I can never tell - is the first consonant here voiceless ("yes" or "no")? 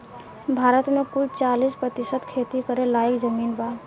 no